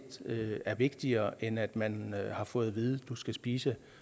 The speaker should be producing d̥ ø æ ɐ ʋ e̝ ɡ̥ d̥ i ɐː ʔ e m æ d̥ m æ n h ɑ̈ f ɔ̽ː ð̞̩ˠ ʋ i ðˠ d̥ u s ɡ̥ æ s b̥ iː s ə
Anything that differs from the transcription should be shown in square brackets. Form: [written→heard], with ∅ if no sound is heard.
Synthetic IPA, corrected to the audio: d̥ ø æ ɐ ʋ e̝ ɡ̥ d̥ i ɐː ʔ e [m→n] æ d̥ m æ n h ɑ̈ f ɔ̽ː ð̞̩ˠ ʋ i ðˠ d̥ u s ɡ̥ æ s b̥ iː s ə